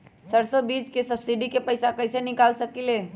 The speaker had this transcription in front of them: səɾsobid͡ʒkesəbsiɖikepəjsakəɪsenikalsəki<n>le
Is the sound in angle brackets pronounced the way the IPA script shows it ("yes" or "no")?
no